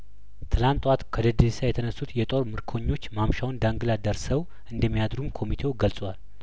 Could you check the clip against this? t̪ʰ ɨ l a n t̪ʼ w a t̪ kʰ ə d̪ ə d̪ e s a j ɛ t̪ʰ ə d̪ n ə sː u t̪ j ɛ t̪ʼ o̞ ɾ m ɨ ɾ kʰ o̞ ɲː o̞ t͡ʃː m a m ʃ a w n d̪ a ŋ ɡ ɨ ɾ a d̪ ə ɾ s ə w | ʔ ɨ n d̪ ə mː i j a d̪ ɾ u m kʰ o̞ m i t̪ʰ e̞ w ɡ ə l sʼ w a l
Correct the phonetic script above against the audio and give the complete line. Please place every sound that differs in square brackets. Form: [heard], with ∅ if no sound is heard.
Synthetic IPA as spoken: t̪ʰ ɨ l a n t̪ʼ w a t̪ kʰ ə d̪ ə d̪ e s a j ɛ t̪ʰ ə [∅] n ə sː u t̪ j ɛ t̪ʼ o̞ ɾ m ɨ ɾ kʰ o̞ ɲː o̞ t͡ʃː m a m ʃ a w n d̪ a ŋ ɡ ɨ [l] a d̪ ə ɾ s ə w | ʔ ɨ n d̪ ə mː i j a d̪ ɾ u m kʰ o̞ m i t̪ʰ e̞ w ɡ ə l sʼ w a l